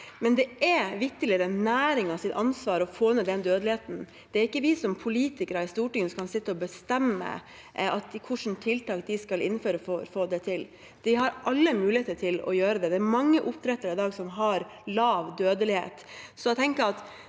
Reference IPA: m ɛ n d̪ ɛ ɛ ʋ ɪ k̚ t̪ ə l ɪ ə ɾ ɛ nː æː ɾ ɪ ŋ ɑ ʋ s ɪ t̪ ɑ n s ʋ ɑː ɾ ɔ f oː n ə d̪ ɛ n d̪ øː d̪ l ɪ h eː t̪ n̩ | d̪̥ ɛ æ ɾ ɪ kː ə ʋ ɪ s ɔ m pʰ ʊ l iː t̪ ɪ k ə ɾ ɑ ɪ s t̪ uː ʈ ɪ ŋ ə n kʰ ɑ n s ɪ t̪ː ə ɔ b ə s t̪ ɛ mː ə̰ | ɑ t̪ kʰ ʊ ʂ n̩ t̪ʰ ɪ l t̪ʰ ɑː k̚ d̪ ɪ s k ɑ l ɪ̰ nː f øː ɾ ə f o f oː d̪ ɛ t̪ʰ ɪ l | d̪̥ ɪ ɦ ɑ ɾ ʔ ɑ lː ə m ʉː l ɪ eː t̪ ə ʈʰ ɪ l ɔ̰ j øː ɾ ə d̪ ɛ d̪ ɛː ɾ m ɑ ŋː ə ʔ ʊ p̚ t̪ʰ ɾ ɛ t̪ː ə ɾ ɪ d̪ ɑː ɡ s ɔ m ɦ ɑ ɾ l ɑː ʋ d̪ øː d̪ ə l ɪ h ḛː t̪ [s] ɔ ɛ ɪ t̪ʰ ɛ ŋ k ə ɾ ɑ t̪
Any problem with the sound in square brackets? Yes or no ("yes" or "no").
no